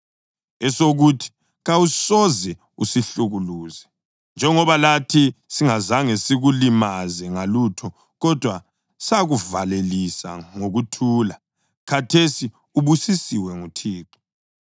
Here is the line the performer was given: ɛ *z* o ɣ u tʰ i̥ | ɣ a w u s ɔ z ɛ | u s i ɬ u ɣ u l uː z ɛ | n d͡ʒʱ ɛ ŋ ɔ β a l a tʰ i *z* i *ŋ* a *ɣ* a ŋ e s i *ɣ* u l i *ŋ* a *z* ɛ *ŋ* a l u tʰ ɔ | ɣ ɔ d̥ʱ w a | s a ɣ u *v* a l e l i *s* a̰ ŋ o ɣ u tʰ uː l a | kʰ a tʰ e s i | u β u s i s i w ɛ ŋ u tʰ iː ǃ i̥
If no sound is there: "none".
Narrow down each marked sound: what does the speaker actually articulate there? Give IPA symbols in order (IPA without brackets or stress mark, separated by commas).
s, s, ŋ, z, ɣ, m, z, ŋ, v, s